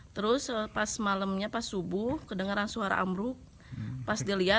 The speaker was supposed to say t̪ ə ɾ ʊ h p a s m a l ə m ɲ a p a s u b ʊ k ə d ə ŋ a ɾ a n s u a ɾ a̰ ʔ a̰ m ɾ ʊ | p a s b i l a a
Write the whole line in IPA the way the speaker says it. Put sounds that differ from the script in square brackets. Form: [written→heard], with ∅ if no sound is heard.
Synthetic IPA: t̪ ə ɾ ʊ [h→s] p a s m a l ə m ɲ a p a s u b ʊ k ə d ə ŋ a ɾ a n s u a ɾ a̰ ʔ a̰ m ɾ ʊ | p a s [b→d] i l [a→i] a